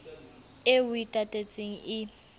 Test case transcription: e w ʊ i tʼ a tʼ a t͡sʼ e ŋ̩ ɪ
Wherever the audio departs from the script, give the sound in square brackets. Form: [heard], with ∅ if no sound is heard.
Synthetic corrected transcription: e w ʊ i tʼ a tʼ [e] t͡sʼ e ŋ̩ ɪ